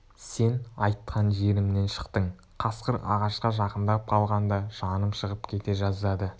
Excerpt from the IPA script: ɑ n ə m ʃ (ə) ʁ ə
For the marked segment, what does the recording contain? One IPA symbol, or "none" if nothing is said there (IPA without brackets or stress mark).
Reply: ə